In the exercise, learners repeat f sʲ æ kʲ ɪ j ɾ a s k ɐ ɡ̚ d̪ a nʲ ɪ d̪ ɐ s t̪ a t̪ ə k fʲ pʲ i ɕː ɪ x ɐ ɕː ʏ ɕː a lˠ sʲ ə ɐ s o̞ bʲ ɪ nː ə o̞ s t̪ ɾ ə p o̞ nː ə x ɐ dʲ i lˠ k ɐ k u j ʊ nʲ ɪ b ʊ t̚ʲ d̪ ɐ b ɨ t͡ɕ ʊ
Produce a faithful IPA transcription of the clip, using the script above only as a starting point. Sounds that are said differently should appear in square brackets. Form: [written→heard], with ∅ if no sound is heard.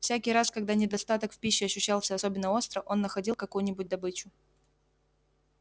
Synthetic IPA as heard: f sʲ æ kʲ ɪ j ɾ a s k ɐ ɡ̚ d̪ a nʲ ɪ d̪ ɐ s t̪ a t̪ ə k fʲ pʲ i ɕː ɪ [x→∅] ɐ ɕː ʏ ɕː a lˠ sʲ ə ɐ s o̞ bʲ ɪ nː ə o̞ s t̪ ɾ ə [p→ʔ] o̞ nː ə x ɐ dʲ i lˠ k ɐ k u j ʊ nʲ ɪ b ʊ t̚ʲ d̪ ɐ b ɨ t͡ɕ ʊ